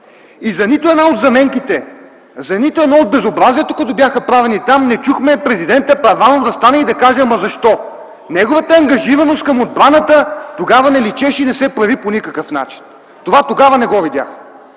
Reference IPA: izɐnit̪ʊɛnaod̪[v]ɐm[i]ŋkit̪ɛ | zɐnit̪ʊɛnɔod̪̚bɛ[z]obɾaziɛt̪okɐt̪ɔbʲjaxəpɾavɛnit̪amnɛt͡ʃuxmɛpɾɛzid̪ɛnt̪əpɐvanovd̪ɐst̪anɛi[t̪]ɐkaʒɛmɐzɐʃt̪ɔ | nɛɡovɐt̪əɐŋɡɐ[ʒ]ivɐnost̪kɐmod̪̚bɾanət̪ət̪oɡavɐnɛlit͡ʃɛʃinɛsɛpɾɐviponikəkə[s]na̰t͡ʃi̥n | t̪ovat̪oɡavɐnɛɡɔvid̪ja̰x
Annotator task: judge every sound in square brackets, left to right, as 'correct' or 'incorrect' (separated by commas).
incorrect, incorrect, correct, incorrect, correct, incorrect